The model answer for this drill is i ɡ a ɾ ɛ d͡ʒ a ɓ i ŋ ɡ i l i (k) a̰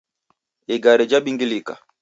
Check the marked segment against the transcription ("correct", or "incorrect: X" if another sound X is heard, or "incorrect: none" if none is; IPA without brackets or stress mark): correct